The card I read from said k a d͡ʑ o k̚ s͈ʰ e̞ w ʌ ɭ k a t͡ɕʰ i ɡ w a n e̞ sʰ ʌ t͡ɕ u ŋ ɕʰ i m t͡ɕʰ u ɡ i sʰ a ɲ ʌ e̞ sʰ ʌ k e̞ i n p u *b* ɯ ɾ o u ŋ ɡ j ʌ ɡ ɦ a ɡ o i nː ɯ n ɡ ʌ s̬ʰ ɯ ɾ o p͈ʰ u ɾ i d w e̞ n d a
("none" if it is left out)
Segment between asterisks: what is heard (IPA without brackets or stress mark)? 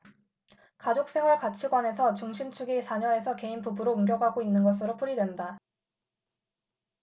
b